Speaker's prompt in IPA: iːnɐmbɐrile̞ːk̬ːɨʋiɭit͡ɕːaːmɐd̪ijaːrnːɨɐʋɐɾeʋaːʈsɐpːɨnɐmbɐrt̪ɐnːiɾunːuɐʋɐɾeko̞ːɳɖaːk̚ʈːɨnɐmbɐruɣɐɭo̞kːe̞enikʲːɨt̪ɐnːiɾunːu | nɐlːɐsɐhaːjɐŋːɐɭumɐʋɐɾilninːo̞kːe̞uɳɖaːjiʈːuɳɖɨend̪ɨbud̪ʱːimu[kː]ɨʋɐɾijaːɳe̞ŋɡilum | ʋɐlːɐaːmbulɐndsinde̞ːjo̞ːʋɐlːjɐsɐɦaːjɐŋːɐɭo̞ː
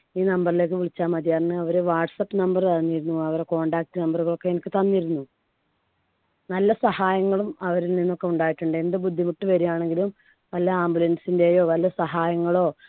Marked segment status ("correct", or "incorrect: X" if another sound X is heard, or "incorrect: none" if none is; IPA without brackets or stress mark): incorrect: ʈː